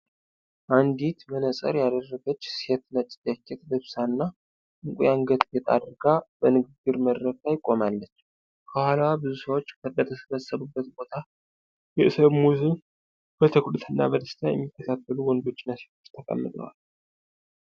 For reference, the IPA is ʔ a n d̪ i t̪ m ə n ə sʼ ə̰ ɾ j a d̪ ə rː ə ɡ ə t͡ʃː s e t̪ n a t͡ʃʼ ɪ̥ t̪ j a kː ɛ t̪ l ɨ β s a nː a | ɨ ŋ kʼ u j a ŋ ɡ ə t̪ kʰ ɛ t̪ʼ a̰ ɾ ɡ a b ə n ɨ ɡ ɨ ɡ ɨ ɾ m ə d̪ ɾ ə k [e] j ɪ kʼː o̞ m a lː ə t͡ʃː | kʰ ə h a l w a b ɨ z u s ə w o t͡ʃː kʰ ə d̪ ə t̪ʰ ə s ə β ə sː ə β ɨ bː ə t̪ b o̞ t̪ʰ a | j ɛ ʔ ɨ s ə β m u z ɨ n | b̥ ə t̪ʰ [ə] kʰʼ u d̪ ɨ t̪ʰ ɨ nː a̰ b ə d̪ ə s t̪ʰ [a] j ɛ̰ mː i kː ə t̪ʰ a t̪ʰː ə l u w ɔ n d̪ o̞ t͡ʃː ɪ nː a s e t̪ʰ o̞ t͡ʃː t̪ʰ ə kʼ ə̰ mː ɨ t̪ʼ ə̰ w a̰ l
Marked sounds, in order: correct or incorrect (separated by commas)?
incorrect, correct, correct